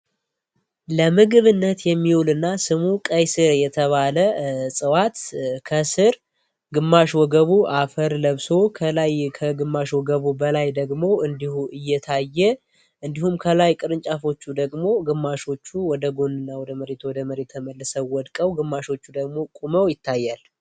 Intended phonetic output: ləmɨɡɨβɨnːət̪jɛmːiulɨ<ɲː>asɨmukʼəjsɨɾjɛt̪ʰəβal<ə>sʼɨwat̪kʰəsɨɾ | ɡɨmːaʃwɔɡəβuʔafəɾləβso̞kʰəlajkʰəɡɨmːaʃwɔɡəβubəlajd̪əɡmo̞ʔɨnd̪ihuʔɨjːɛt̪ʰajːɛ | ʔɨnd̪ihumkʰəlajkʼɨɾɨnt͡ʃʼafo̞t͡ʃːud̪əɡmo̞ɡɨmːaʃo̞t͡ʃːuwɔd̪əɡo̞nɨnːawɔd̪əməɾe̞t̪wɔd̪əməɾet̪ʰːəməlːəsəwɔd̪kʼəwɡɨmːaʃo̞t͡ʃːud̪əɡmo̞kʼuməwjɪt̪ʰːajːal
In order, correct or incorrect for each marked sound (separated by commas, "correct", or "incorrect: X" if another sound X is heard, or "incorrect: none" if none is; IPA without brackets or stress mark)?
incorrect: nː, correct